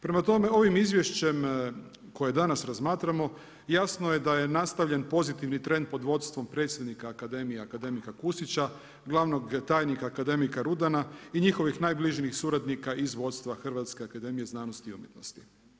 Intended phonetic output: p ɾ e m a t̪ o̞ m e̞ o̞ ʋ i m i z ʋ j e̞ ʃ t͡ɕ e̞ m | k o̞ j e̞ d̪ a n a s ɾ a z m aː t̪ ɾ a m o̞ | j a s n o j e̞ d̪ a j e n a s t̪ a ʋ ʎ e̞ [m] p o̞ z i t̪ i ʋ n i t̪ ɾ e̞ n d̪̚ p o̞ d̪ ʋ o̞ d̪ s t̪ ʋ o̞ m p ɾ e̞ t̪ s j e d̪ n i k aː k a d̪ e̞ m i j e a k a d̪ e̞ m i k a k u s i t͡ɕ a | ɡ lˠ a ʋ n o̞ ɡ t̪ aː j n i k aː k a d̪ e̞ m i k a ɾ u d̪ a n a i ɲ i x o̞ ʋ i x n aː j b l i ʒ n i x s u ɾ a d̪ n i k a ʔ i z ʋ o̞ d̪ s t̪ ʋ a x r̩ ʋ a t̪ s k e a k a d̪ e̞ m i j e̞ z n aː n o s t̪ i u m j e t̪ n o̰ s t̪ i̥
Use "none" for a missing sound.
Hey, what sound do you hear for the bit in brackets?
n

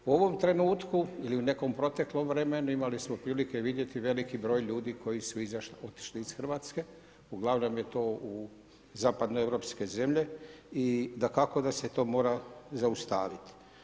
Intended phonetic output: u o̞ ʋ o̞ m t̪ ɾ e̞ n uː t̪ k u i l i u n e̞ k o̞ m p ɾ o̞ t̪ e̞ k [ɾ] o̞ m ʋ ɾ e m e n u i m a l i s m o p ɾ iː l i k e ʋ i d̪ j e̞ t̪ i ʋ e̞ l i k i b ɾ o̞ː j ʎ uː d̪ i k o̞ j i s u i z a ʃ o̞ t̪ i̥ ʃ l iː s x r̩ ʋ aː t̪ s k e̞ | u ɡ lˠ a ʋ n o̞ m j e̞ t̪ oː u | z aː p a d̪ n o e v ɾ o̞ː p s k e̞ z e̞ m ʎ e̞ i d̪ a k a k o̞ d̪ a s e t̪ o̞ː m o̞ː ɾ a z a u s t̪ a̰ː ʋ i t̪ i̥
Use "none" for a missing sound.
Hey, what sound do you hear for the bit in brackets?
l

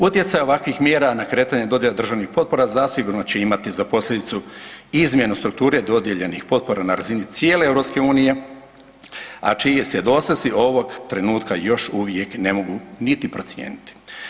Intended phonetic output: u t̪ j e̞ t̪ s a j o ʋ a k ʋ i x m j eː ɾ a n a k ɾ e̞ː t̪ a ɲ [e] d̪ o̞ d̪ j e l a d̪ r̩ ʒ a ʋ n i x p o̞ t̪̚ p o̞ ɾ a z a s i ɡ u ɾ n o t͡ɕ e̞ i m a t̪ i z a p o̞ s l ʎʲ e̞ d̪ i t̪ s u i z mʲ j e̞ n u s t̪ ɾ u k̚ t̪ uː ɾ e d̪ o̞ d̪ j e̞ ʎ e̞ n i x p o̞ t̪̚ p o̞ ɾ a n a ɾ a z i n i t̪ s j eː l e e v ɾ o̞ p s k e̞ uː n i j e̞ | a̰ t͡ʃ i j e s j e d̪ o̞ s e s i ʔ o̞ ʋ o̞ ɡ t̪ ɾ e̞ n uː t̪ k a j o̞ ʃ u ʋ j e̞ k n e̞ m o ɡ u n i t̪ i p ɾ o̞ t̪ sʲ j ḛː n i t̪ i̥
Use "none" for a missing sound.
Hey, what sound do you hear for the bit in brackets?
e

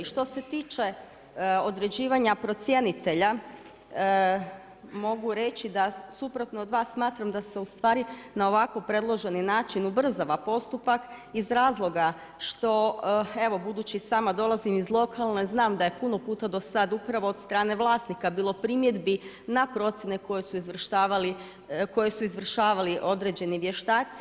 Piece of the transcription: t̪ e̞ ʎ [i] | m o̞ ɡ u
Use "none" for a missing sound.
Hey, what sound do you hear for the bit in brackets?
a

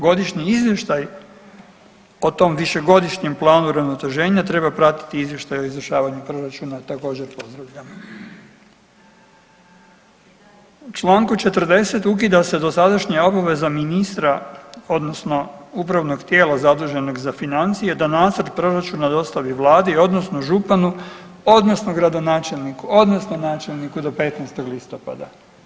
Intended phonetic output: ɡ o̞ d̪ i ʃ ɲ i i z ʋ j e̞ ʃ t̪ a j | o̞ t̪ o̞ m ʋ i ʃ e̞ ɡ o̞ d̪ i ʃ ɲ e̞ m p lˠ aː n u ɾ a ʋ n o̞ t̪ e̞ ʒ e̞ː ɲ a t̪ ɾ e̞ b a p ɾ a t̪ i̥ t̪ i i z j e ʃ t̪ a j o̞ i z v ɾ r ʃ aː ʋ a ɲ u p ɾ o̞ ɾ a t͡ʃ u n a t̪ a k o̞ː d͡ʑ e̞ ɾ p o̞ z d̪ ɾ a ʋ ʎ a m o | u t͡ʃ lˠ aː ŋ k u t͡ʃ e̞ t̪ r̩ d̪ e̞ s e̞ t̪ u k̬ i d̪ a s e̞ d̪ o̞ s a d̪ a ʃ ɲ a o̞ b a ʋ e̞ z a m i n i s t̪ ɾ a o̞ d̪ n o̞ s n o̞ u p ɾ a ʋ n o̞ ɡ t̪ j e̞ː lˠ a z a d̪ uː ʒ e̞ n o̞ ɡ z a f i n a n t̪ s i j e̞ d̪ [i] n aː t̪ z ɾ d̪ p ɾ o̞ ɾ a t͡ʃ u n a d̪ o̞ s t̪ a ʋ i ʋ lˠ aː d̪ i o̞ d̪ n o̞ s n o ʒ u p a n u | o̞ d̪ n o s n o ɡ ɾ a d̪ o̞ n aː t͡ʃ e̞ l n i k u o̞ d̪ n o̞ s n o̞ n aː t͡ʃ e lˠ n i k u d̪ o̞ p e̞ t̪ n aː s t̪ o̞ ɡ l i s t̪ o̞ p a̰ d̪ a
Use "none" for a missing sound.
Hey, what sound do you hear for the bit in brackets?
a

